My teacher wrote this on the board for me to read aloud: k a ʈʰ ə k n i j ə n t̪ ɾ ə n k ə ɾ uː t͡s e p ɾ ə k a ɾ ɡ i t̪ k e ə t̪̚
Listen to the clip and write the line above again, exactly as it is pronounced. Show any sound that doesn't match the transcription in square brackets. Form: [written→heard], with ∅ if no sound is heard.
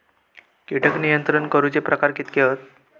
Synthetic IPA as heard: k [a→i] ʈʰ ə k n i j ə n t̪ ɾ ə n k ə ɾ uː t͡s e p ɾ ə k a ɾ [ɡ→k] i t̪ k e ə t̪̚